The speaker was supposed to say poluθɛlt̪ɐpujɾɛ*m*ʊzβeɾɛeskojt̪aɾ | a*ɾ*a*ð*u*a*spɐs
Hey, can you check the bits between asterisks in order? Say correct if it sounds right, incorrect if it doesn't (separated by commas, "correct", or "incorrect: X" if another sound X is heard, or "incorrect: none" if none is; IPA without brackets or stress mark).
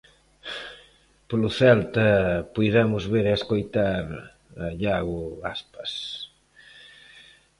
correct, incorrect: ʎ, incorrect: ɣ, correct